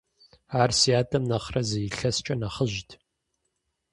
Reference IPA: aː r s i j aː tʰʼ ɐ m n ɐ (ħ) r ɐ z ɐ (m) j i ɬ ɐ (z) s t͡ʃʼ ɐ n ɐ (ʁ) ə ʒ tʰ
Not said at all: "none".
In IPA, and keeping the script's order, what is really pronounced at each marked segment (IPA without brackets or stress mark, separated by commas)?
χ, none, none, χ